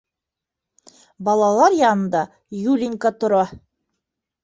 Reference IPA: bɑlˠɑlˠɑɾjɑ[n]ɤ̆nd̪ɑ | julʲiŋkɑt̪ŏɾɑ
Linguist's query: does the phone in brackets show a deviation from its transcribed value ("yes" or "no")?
no